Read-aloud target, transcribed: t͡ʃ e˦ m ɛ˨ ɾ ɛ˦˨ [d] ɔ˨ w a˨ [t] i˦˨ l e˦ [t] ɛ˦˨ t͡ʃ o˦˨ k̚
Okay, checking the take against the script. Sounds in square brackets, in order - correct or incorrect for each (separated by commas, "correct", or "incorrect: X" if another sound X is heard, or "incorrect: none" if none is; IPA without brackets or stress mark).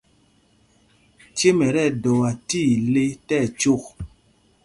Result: correct, correct, correct